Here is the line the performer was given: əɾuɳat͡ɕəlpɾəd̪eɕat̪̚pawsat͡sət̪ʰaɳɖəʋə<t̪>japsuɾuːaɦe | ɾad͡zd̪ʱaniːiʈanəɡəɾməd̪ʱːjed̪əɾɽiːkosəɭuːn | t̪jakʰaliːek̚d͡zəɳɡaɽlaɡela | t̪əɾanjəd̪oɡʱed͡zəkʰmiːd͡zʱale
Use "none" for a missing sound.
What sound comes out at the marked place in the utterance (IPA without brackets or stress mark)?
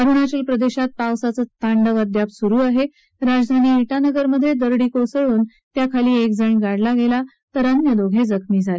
d̪